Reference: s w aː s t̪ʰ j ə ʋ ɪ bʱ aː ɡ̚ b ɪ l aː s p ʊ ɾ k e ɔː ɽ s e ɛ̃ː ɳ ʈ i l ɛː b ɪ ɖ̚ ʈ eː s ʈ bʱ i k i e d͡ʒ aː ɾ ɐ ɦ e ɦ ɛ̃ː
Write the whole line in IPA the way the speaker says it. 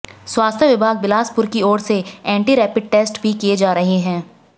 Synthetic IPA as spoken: s w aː s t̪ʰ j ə ʋ ɪ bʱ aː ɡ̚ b ɪ l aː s p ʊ ɾ k i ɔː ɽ s e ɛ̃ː ɳ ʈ i ɾ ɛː p ɪ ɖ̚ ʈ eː s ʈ bʱ i k i e d͡ʒ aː ɾ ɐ ɦ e ɦ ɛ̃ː